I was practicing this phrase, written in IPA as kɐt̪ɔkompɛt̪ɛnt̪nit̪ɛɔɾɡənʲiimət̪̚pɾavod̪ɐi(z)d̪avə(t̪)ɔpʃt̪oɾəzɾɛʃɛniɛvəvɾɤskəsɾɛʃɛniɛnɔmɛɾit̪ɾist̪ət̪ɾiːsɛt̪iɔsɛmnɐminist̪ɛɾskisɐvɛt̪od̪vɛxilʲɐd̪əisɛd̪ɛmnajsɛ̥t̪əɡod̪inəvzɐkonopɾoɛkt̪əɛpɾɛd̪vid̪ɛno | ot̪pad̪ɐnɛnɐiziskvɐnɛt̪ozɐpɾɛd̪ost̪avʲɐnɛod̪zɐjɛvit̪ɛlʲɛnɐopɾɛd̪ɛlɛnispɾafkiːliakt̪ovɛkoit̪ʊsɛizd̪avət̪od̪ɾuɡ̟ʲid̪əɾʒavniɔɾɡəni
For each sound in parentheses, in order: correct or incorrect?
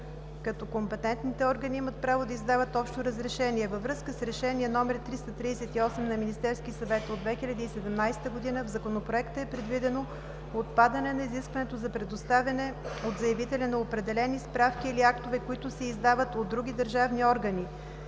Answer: correct, correct

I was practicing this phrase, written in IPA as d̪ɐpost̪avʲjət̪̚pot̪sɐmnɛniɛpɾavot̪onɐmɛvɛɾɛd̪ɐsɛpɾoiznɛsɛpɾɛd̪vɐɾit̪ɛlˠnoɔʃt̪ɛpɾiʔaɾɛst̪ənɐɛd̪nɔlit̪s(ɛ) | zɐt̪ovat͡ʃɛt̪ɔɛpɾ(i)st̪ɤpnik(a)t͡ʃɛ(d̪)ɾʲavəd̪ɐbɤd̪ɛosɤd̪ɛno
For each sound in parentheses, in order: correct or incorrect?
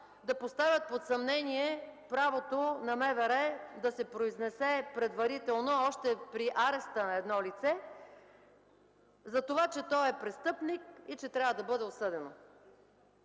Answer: correct, incorrect, incorrect, incorrect

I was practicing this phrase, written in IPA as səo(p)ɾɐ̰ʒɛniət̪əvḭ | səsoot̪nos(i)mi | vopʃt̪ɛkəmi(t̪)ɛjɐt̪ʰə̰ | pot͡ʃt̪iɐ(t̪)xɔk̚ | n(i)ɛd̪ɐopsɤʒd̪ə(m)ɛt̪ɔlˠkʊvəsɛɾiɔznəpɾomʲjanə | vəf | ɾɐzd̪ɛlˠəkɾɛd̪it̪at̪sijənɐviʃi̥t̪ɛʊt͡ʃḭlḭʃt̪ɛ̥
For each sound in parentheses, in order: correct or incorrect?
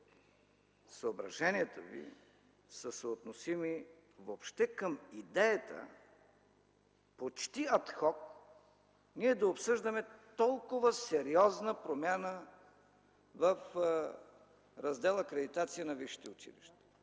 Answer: incorrect, correct, incorrect, correct, correct, correct

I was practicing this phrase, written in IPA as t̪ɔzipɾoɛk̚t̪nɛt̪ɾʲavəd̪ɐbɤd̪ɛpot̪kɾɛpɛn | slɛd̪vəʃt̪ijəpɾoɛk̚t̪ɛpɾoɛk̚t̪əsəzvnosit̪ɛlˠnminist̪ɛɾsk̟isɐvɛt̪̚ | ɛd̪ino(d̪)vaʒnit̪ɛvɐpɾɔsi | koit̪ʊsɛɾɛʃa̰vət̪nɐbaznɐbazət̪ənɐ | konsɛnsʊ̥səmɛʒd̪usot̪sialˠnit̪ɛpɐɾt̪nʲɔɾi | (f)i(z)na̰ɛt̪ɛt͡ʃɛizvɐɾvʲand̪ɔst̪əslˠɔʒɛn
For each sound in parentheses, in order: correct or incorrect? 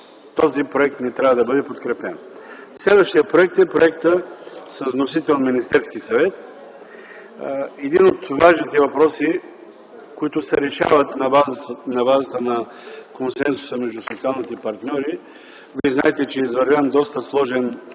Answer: incorrect, incorrect, correct

